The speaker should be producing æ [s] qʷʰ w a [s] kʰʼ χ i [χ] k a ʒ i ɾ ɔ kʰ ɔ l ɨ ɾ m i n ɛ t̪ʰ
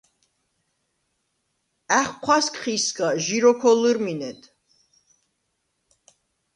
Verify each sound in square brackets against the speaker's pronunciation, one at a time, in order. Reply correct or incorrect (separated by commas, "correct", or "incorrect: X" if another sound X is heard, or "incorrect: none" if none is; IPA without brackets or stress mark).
incorrect: χ, correct, incorrect: s